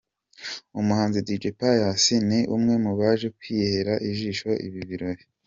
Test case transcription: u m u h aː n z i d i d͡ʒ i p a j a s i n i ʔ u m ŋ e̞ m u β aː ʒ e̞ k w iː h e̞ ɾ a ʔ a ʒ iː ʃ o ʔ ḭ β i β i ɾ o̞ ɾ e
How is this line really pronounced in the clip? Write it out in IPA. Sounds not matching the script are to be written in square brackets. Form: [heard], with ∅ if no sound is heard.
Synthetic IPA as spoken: u m u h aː n z i d i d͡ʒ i p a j a s i n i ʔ u m ŋ e̞ m u β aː ʒ e̞ k w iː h e̞ ɾ a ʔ [i] ʒ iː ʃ o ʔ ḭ β i β i ɾ o̞ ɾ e